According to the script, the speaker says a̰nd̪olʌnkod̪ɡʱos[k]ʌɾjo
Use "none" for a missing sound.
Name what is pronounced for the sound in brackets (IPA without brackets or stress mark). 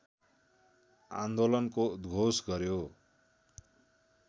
ɡ